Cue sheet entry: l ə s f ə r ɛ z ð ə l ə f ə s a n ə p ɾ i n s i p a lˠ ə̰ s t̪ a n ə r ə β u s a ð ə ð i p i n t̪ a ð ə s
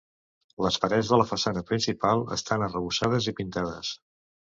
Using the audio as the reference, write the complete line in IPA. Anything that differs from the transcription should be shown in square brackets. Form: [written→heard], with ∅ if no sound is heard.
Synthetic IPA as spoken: l ə s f ə [r→ɾ] ɛ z ð ə l ə f ə s a n ə p ɾ i n s i p a lˠ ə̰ s t̪ a n ə r ə β u s a ð ə [ð→z] i p i n t̪ a ð ə s